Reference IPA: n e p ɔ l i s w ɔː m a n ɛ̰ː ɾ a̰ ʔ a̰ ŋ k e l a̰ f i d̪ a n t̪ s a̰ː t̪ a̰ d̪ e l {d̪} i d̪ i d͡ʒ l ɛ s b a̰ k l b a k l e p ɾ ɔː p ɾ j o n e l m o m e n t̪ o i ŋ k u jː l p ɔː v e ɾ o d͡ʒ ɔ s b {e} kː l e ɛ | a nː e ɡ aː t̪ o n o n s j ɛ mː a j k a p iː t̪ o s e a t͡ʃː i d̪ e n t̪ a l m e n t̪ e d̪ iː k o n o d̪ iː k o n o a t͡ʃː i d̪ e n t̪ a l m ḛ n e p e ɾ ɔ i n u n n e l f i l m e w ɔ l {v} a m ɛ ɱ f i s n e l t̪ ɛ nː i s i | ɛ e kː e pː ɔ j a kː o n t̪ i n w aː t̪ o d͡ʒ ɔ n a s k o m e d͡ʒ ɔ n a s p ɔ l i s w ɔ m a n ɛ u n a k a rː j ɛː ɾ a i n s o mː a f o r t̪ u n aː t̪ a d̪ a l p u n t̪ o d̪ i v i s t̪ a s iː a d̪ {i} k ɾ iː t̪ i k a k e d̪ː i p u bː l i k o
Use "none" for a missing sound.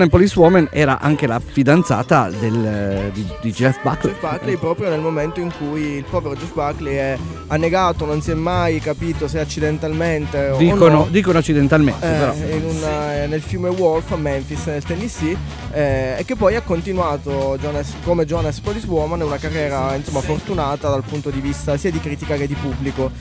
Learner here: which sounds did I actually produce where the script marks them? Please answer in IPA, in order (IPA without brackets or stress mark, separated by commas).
d̪, a, f, i